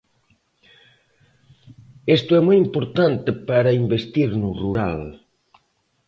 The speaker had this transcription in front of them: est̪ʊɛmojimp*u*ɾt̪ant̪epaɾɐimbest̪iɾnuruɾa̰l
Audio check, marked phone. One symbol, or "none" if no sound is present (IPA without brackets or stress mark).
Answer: o